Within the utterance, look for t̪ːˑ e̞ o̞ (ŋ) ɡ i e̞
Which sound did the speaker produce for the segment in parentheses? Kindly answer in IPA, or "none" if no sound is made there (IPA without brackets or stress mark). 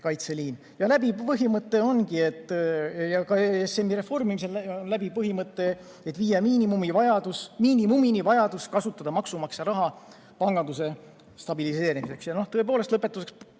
n